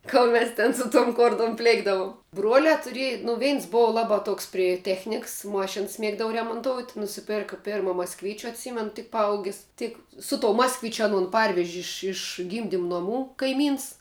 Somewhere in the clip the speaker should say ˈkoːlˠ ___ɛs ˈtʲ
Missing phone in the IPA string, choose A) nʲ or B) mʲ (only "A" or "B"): B